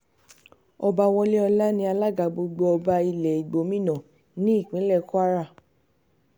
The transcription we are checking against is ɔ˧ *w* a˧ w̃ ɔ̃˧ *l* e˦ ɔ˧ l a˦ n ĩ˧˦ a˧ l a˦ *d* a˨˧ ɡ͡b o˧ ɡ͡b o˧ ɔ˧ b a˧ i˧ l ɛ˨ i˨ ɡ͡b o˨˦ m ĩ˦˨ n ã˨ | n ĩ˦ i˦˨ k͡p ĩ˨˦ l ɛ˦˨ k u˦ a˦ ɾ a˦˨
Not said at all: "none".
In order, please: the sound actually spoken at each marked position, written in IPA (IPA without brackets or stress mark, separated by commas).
b, l, ɡ